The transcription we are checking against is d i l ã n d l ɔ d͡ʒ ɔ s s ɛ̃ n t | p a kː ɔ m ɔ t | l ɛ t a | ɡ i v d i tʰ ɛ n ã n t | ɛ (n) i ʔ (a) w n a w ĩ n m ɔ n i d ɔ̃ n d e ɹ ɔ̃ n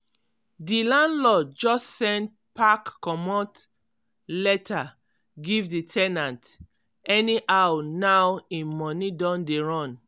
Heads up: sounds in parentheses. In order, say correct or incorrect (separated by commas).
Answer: correct, correct